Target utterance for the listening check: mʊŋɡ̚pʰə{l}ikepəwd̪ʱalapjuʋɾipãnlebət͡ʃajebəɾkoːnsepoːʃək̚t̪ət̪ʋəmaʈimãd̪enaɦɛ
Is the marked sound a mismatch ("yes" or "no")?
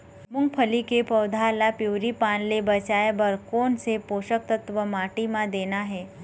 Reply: no